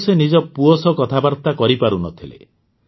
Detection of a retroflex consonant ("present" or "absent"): absent